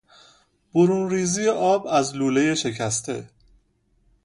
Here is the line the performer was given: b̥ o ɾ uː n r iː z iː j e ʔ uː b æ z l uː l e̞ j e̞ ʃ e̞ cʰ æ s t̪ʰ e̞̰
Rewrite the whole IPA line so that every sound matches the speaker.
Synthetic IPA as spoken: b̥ o ɾ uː n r iː z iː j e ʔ ɒː b æ z l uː l e̞ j e̞ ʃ e̞ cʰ æ s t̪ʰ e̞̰